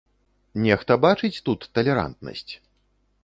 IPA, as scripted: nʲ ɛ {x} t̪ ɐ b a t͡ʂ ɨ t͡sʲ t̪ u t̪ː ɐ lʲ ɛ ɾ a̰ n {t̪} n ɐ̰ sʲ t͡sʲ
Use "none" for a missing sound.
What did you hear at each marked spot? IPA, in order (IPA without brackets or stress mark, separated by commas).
x, t̪